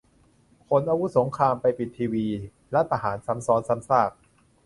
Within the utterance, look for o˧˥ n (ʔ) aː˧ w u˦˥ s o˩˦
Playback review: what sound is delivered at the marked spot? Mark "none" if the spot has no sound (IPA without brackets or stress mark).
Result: ʔ